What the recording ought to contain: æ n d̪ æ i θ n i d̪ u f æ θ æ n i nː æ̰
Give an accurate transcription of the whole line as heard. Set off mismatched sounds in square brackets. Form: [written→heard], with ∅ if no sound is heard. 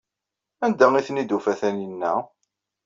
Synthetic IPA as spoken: æ n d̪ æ i θ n i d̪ u f æ θ æ n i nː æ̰